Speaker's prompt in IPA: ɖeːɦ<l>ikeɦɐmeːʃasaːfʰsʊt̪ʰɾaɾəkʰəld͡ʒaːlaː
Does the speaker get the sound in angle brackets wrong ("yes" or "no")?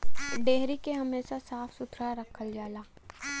yes